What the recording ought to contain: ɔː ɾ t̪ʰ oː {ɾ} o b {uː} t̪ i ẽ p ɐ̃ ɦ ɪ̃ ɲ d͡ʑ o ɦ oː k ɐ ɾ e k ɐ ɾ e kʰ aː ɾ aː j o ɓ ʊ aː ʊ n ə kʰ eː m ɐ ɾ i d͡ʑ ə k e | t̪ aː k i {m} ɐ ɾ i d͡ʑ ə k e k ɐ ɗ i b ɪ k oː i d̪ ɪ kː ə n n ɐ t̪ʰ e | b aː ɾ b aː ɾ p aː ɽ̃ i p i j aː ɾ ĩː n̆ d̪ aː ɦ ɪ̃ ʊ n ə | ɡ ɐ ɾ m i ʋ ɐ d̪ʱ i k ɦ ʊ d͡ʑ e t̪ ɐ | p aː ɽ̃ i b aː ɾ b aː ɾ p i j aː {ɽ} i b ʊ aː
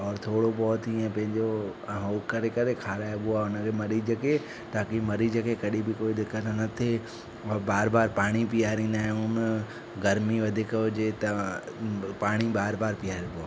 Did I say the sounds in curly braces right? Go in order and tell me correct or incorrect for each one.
incorrect, incorrect, correct, incorrect

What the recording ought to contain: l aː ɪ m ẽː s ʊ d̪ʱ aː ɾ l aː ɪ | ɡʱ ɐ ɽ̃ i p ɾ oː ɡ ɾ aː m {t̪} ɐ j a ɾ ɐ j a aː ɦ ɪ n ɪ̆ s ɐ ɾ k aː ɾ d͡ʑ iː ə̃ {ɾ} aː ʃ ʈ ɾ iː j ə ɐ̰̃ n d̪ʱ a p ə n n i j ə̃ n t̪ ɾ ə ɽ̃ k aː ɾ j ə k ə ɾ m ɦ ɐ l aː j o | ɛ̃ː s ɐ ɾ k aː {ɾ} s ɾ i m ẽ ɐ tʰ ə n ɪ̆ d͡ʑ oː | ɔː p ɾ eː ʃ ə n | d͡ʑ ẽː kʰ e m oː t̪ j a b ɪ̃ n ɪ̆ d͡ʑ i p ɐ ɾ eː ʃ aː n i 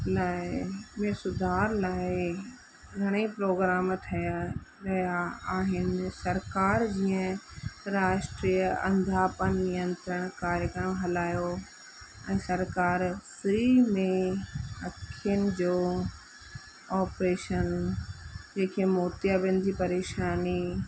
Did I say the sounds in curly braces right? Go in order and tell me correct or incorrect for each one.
incorrect, correct, correct

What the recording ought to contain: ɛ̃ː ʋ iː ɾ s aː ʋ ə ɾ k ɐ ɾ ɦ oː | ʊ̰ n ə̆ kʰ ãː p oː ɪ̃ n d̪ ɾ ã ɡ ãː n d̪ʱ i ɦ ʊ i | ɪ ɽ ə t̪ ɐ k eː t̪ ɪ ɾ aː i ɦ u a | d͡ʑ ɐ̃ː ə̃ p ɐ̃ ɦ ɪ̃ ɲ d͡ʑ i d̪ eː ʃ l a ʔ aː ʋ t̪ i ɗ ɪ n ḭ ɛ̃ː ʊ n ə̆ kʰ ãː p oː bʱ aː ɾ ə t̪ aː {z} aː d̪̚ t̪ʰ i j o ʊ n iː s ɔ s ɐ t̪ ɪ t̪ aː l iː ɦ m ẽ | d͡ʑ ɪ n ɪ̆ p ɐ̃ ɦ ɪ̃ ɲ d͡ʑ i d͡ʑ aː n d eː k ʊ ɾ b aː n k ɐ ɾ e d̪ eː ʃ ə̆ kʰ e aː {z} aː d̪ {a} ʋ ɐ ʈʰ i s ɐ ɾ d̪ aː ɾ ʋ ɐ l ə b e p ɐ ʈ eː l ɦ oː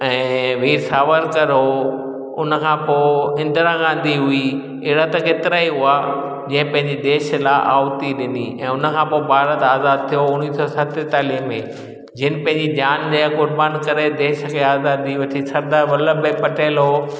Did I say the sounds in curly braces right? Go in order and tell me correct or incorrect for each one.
correct, correct, incorrect

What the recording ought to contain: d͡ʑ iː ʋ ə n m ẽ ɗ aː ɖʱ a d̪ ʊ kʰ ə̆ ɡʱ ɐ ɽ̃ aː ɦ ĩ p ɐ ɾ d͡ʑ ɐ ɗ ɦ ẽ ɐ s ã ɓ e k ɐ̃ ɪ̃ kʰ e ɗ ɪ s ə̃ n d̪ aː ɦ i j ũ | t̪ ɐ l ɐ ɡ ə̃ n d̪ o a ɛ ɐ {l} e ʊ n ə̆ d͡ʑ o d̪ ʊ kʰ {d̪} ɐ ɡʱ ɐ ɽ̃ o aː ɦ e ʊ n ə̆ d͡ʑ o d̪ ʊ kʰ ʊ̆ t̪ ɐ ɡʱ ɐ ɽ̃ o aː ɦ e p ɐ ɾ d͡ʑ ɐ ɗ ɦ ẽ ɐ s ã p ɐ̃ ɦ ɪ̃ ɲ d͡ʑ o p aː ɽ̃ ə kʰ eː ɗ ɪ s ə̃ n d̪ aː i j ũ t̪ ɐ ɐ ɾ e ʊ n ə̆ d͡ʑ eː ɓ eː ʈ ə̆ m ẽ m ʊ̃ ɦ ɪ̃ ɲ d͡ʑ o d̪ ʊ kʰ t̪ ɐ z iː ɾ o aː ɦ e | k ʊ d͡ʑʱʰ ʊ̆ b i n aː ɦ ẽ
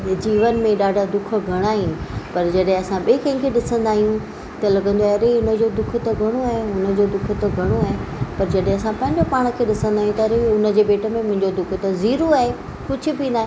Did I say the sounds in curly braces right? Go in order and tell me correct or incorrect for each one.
incorrect, incorrect

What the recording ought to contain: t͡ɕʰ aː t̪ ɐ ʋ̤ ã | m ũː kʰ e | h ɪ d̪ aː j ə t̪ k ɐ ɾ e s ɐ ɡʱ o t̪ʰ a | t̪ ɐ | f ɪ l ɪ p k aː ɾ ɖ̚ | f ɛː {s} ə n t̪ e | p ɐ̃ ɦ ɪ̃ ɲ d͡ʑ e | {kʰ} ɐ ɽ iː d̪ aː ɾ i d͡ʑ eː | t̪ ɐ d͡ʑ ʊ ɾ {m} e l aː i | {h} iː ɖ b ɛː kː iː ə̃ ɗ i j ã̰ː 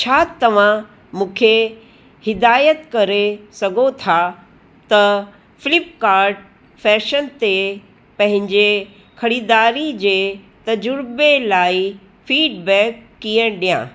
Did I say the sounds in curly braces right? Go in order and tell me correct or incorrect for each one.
incorrect, correct, incorrect, incorrect

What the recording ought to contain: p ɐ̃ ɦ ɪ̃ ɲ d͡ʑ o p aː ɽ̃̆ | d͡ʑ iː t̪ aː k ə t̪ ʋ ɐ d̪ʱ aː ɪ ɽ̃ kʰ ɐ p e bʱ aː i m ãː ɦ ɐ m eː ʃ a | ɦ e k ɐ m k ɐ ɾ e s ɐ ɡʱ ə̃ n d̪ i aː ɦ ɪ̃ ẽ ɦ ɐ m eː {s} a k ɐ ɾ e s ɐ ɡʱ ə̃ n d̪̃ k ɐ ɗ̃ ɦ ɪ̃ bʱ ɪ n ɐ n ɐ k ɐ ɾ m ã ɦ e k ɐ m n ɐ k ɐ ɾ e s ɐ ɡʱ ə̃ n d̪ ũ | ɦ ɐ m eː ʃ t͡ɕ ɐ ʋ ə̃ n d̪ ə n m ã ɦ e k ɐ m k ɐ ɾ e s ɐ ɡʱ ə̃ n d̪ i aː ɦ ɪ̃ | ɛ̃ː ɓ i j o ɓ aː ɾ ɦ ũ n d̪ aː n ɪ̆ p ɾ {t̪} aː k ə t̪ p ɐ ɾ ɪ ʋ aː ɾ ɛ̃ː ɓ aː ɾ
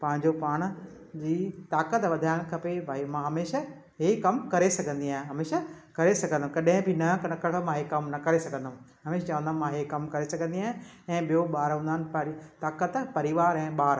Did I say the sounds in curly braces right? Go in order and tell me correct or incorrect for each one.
incorrect, correct

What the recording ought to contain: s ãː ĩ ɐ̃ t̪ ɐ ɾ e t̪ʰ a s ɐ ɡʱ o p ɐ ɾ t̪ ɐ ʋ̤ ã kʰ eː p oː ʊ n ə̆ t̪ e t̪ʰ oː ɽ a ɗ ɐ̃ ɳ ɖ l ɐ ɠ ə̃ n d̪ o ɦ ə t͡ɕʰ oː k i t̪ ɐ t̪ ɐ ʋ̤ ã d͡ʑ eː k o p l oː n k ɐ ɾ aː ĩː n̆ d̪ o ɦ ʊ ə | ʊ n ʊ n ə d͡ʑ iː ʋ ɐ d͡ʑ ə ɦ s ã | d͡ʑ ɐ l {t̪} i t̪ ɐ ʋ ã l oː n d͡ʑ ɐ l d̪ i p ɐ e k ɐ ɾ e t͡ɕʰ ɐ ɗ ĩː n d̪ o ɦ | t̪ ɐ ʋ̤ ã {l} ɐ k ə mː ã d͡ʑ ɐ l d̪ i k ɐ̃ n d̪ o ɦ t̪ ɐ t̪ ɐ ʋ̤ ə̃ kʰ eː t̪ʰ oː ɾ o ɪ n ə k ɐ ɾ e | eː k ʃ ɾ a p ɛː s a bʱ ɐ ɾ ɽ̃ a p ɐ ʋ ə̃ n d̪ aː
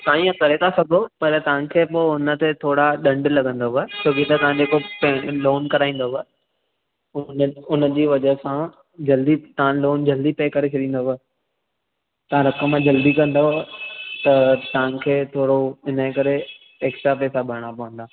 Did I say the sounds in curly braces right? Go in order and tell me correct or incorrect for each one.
incorrect, incorrect

